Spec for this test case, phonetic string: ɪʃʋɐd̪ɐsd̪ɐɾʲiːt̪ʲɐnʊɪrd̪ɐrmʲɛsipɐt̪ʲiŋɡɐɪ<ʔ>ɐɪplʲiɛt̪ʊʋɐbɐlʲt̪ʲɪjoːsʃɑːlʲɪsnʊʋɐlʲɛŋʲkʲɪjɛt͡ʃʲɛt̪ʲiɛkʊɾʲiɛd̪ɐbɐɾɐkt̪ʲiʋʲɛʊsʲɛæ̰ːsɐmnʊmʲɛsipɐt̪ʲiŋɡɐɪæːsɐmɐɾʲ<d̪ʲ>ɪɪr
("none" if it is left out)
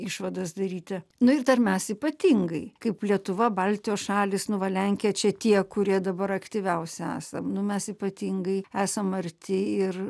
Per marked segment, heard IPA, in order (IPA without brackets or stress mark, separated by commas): k, t̪ʲ